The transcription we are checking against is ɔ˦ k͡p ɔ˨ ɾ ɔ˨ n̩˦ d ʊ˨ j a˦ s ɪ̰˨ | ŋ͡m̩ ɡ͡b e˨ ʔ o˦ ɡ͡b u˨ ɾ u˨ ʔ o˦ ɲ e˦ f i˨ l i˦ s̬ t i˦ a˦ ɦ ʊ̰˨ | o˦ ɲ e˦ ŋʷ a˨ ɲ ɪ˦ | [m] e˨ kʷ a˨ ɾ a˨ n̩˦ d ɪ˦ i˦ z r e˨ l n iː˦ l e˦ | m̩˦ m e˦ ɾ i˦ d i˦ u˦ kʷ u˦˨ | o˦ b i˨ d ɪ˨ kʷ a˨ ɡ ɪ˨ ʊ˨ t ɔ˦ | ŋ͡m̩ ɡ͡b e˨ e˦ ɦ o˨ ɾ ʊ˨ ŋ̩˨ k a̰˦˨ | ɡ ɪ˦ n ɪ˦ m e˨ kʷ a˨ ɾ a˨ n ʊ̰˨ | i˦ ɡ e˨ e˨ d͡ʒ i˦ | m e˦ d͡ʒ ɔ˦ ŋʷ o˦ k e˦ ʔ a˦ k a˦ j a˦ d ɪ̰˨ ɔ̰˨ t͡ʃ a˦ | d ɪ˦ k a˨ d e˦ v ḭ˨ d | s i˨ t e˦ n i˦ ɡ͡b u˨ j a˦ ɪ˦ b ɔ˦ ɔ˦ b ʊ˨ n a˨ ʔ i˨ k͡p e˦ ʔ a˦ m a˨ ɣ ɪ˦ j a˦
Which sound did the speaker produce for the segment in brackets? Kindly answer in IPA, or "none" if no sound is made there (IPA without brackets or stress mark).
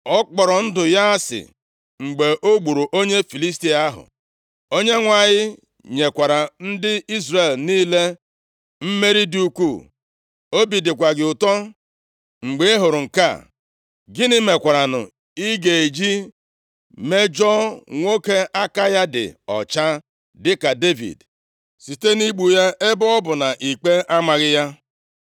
ɲ